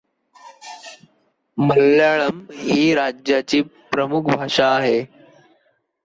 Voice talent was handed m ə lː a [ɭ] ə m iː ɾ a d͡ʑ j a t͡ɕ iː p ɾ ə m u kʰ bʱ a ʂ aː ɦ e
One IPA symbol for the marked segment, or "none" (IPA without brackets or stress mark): ɭ